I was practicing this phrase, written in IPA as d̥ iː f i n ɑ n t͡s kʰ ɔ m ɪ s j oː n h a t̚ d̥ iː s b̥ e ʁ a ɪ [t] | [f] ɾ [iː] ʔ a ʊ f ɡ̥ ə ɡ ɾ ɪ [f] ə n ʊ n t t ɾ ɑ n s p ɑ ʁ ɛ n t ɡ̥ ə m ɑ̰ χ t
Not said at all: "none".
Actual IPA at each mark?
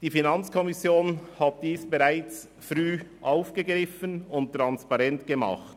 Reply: t͡s, f, yː, f

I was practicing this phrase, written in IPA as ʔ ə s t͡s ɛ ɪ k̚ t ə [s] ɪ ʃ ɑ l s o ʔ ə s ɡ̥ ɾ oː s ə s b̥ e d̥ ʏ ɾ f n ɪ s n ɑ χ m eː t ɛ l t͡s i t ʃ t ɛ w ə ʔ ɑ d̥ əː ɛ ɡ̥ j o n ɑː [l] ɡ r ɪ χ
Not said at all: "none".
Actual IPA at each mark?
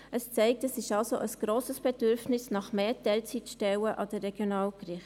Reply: s, l

